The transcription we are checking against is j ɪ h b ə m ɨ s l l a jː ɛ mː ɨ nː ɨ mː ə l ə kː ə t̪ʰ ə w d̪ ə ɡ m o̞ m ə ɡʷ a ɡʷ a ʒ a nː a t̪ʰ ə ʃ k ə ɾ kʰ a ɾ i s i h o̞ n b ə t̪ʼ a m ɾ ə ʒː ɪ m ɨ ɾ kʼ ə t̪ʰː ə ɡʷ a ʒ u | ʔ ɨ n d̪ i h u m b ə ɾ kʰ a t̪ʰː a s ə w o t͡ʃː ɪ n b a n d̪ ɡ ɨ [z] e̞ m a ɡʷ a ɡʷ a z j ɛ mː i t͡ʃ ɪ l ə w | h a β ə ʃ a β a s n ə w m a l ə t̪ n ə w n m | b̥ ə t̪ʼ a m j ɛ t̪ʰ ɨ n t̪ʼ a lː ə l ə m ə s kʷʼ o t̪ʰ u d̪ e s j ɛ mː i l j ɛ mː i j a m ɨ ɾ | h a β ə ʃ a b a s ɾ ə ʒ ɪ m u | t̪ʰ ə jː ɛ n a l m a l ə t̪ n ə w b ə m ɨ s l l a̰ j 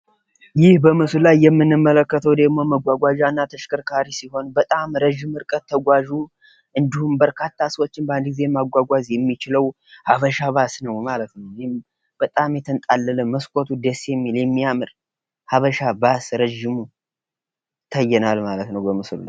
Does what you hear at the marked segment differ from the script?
no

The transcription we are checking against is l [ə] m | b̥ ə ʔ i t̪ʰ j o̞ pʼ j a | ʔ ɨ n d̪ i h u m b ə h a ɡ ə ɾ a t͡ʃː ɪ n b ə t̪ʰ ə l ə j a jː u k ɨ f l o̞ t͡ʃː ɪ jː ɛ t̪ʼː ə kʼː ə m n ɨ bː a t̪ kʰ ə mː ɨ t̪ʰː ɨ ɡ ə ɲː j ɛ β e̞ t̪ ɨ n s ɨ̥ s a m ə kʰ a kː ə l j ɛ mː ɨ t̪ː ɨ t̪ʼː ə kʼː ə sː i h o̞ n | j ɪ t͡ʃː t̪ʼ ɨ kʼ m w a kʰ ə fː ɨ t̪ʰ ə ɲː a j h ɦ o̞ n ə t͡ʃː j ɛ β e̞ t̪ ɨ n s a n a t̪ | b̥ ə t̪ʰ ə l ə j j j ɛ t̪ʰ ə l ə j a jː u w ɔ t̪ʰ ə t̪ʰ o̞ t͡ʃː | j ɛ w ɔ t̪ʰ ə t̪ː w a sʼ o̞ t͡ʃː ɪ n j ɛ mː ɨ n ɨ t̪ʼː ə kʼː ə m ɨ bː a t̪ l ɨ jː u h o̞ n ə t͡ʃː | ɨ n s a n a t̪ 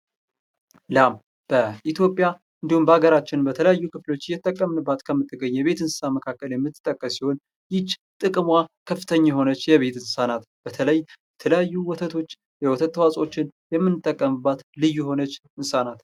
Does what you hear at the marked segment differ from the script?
yes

